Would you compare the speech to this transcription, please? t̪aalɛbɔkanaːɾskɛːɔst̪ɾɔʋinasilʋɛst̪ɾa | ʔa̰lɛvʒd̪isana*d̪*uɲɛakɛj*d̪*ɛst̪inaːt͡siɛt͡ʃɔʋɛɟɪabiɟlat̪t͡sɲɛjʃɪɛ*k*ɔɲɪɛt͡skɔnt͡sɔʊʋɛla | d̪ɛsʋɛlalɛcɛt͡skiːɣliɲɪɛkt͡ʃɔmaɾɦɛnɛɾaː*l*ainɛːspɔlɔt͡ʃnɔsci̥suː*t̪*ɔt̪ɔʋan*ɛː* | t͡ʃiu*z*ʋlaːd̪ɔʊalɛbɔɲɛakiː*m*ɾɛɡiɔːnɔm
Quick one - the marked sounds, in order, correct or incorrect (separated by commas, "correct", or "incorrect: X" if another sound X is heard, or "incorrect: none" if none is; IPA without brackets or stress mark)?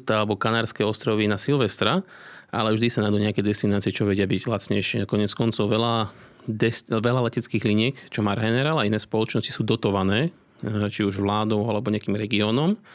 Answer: correct, correct, correct, correct, incorrect: d̪, correct, incorrect: ʒ, correct